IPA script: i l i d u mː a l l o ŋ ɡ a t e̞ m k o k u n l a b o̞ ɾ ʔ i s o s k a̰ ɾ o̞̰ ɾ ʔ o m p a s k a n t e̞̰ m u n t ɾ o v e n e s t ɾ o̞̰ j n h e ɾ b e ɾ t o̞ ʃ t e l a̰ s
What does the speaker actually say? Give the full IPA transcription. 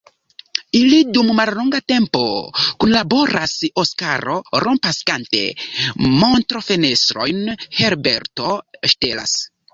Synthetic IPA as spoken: i l i d u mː a l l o ŋ ɡ a t e̞ m p o k u n l a b o̞ ɾ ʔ a s o s k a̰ ɾ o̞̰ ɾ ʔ o m p a s k a n t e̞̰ m o n t ɾ o f e n e s t ɾ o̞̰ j n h e ɾ b e ɾ t o̞ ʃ t e l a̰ s